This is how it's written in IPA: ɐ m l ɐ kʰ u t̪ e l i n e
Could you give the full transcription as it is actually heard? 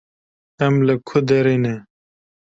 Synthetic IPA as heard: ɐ m l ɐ kʰ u d̪ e ɾ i n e